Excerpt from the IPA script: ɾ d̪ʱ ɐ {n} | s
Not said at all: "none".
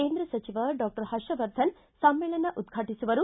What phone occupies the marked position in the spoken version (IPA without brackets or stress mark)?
n